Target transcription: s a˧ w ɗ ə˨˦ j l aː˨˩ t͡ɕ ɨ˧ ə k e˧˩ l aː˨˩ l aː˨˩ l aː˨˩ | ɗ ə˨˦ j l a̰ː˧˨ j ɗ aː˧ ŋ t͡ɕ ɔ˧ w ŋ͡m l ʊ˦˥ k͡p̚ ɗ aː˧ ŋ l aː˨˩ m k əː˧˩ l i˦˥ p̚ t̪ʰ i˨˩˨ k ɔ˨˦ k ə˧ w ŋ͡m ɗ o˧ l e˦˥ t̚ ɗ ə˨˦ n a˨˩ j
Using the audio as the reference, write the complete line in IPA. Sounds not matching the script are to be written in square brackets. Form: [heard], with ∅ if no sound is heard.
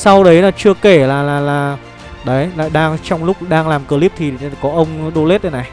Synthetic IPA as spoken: s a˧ w ɗ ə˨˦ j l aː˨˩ t͡ɕ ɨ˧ ə k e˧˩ l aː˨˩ l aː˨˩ l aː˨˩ | ɗ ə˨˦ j l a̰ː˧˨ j ɗ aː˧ ŋ t͡ɕ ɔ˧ w ŋ͡m l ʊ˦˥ k͡p̚ ɗ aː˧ ŋ l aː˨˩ m k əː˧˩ l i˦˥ p̚ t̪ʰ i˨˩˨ k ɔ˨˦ [ʔ] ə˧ w ŋ͡m ɗ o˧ l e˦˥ t̚ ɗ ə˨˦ n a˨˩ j